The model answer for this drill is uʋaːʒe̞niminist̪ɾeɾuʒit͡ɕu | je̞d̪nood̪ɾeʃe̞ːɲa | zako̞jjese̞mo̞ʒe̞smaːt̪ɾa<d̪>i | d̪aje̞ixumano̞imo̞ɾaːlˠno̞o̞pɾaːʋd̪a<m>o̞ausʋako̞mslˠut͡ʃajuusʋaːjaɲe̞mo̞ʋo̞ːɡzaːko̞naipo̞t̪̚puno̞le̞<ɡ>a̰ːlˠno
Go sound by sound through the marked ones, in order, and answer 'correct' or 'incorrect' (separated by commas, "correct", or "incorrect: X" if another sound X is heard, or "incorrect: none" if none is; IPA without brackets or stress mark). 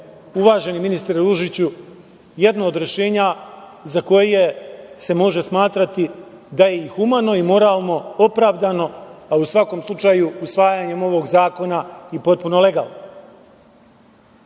incorrect: t̪, incorrect: n, correct